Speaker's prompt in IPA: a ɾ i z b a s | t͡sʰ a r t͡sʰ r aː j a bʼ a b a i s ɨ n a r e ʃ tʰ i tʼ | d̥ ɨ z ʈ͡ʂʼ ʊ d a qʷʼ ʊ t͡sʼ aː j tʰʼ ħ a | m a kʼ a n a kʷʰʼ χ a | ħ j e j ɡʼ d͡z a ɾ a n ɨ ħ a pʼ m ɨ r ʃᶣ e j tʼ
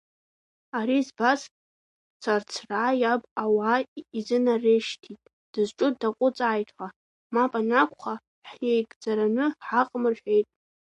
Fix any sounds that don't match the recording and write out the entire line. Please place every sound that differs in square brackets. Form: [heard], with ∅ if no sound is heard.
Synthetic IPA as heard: a ɾ i z b a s | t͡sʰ a r t͡sʰ r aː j a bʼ a [w] a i [z] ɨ n a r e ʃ tʰ i tʼ | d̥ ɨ z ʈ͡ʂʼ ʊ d a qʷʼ ʊ t͡sʼ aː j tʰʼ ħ a | m a [pʼ] a n a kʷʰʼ χ a | ħ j e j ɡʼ d͡z a ɾ a n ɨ ħ a [qʼ] m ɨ r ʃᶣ e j tʼ